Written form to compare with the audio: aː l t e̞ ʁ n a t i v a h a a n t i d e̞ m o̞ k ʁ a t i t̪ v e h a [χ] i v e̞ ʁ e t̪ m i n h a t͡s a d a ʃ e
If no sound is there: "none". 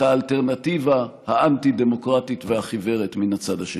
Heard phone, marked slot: χ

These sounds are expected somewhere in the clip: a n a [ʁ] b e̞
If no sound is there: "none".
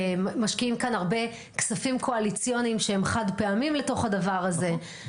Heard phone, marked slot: ʁ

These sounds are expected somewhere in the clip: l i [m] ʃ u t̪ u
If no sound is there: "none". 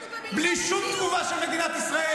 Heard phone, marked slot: none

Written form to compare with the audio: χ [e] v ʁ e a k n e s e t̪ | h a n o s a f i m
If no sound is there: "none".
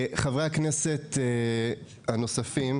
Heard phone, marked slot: a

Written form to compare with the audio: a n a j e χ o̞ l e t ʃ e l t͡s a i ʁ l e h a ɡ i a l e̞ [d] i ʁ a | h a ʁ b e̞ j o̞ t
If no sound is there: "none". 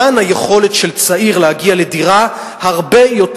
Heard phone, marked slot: d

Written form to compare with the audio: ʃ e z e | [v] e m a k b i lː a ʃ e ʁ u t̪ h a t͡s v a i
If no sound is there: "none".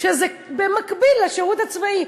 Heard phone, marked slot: b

